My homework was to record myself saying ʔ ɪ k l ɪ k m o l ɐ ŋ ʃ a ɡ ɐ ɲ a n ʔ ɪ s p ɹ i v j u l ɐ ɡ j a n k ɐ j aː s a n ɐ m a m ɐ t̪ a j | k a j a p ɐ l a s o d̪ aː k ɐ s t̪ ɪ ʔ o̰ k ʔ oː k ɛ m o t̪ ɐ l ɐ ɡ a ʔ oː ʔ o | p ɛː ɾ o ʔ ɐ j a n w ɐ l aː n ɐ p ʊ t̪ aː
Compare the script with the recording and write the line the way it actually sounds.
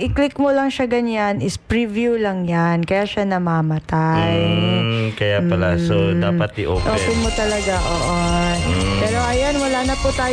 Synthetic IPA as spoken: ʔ ɪ k l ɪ k m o l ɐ ŋ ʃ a ɡ ɐ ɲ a n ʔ ɪ s p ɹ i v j u l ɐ ŋ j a n k ɐ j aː ʃ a n ɐ m a m ɐ t̪ a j | k ɐ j a p ɐ l a s o d̪ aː p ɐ t̪ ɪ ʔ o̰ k ʔ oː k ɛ m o t̪ ɐ l ɐ ɡ a ʔ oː ʔ o | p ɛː ɾ o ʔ ɐ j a n w ɐ l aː n ɐ p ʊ t̪ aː